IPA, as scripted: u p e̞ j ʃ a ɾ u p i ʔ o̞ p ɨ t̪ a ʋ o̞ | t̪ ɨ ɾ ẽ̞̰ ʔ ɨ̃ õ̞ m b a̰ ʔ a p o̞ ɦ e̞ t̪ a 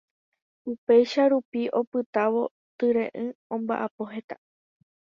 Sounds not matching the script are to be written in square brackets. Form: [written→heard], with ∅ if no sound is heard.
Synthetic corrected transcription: u p e̞ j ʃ a ɾ u p i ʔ o̞ p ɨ t̪ a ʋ o̞ | t̪ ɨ ɾ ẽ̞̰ ʔ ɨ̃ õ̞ m b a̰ ʔ a p o̞ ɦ e̞ t̪ a